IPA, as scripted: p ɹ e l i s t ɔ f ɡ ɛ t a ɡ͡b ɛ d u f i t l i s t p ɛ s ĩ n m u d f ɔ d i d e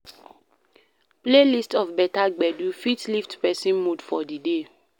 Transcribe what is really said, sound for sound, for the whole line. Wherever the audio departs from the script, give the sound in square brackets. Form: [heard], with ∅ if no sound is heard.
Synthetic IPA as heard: p [l] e l i s t ɔ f [b] ɛ t a ɡ͡b ɛ d u f i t l i [f] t p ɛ s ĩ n m u d f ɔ d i d e

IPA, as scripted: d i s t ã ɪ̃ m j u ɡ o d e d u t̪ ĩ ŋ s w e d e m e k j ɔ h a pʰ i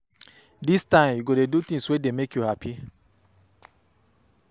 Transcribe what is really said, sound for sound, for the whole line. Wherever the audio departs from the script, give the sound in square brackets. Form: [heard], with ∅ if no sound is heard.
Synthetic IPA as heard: d i s t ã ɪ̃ m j u ɡ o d e d u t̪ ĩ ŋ s w e d e m e k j [u] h a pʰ i

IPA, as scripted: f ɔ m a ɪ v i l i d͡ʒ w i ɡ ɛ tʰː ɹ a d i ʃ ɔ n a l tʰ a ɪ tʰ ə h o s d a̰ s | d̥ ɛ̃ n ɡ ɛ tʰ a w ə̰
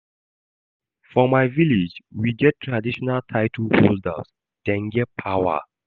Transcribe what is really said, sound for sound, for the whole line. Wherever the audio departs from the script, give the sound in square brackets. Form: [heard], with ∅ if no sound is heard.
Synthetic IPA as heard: f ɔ m a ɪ v i l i d͡ʒ w i ɡ ɛ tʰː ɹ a d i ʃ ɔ n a l tʰ a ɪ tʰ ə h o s d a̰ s | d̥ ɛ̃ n ɡ ɛ [pʰ] a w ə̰

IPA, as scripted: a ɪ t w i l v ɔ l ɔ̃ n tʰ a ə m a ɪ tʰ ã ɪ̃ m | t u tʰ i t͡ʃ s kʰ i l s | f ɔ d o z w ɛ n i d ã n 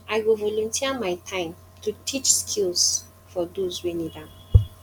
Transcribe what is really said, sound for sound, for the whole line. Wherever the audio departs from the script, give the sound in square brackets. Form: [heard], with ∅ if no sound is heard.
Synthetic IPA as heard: a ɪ [∅] w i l v ɔ l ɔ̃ n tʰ [i] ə m a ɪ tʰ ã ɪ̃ m | t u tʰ i t͡ʃ s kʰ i l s | f ɔ d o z w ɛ n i d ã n

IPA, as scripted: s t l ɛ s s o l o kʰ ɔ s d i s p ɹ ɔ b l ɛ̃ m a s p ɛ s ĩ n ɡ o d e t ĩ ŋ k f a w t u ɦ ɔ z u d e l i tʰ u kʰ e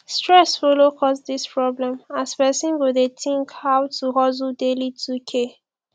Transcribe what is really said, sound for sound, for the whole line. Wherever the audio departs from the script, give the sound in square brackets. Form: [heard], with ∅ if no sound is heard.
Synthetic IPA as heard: s t [ɹ] ɛ s [f] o l o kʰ ɔ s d i s p ɹ ɔ b l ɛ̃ m a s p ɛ s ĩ n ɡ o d e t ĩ ŋ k [h] a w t u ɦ ɔ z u d e l i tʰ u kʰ e

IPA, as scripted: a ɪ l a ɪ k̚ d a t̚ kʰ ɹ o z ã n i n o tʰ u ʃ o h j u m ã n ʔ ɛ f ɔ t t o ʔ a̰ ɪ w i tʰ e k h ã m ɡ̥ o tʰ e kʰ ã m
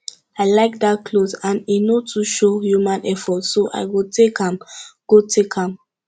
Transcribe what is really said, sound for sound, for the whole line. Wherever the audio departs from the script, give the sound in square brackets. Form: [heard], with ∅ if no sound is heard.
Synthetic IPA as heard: a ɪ l a ɪ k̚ d a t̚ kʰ [l] o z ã n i n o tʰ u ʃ o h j u m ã n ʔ ɛ f ɔ t [s] o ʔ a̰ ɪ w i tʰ e k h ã m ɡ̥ o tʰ e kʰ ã m

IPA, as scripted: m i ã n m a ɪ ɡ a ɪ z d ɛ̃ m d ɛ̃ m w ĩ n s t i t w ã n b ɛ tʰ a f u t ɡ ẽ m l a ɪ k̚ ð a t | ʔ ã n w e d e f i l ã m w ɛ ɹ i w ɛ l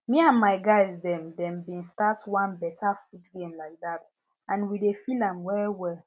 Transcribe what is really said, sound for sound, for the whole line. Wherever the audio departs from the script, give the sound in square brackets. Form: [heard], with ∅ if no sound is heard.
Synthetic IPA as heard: m i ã n m a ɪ ɡ a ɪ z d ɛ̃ m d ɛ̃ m [b] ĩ n s t [a] t w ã n b ɛ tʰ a f u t ɡ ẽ m l a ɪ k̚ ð a t | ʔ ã n w [i] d e f i l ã m w ɛ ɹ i w ɛ l

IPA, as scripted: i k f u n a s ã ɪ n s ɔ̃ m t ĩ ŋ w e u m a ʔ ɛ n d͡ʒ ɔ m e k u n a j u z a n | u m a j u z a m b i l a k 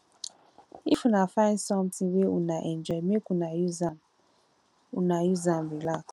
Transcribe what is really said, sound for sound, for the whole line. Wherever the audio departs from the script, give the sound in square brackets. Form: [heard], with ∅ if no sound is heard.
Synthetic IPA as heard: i [∅] f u n a [f] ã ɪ n s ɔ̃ m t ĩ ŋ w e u [n] a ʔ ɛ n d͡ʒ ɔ m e k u n a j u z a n | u [n] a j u z a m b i l a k

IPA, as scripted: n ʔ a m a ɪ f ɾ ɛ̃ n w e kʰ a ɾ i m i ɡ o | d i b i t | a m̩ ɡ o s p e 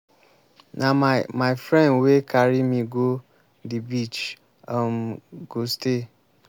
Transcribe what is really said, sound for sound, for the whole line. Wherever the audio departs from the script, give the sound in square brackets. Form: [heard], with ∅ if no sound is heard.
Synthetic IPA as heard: n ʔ a m a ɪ f ɾ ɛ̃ n w e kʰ a ɾ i m i ɡ o | d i b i [t͡ʃ] | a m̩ ɡ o s [t] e

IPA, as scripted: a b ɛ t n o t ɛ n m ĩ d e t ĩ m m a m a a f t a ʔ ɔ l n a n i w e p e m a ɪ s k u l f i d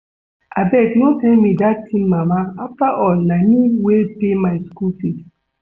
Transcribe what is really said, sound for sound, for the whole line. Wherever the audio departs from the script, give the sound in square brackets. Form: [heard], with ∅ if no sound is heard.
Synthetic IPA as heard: a b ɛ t n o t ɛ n m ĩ d [a] t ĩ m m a m a a f t a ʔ ɔ l n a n i w e p e m a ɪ s k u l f i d

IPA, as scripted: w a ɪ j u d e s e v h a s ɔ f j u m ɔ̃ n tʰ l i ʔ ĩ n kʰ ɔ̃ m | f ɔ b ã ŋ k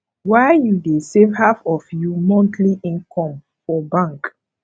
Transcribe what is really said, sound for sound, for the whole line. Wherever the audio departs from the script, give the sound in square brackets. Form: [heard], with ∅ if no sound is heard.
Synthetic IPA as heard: w a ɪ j u d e s e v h a [f] ɔ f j u m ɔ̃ n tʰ l i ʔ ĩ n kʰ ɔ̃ m | f ɔ b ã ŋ k

